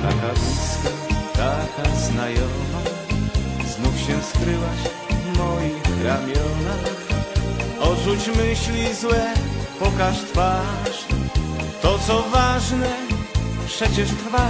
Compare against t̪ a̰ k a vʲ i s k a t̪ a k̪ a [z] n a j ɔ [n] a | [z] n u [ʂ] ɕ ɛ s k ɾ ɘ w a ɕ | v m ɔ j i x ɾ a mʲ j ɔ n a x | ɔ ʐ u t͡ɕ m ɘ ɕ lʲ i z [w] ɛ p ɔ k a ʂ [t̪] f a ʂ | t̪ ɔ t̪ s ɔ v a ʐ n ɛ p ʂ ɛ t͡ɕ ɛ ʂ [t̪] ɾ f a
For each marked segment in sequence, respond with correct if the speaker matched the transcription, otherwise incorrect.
correct, incorrect: m, correct, incorrect: f, correct, correct, correct

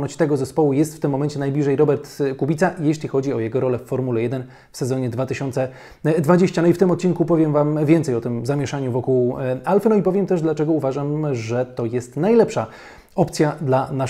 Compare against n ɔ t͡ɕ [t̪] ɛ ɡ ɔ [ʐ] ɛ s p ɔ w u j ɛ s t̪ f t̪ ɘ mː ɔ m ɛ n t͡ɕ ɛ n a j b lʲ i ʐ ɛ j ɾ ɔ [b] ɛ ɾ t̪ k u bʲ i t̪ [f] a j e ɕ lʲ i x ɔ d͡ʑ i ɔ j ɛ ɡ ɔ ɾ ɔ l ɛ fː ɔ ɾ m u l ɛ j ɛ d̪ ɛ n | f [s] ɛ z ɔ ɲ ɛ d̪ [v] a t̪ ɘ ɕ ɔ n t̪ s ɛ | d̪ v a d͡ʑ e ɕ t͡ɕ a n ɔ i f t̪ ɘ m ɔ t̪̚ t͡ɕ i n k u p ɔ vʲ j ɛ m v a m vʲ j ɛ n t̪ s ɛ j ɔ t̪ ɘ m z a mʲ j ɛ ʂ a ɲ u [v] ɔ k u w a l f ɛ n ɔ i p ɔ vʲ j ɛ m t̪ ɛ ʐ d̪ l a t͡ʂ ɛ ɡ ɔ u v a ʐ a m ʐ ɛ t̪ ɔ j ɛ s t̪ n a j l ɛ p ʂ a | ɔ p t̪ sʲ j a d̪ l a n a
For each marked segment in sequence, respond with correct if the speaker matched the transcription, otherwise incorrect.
correct, incorrect: z, correct, incorrect: s, correct, correct, correct

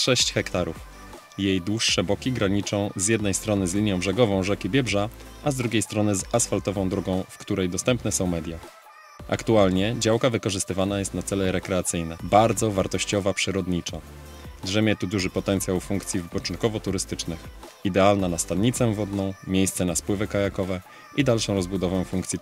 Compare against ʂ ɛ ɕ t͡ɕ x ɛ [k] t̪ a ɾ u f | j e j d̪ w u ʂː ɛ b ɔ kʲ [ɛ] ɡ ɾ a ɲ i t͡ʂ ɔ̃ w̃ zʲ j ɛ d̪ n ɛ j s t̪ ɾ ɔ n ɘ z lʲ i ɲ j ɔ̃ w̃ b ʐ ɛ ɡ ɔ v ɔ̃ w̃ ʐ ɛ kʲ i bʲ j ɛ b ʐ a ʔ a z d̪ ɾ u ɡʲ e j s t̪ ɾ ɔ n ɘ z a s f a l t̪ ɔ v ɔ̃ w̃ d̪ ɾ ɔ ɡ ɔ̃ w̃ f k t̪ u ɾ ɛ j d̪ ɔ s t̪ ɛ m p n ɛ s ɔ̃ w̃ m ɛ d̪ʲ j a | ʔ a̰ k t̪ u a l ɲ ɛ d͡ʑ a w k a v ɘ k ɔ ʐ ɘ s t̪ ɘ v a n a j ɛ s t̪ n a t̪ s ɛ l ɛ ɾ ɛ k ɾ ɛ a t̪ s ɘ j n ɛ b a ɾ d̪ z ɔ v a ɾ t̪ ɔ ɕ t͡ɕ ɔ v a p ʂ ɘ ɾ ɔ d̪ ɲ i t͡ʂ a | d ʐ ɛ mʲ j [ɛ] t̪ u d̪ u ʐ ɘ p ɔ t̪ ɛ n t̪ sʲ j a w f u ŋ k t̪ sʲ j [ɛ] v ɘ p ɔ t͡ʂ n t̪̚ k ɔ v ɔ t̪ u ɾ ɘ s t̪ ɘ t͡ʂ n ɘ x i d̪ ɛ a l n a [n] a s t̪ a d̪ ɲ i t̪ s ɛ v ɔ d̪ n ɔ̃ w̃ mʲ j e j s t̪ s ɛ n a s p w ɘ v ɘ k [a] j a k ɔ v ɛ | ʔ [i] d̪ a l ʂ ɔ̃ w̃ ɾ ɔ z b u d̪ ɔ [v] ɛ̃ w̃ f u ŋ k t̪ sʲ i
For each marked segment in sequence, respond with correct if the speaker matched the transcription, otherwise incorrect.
correct, incorrect: i, correct, incorrect: i, correct, correct, correct, correct

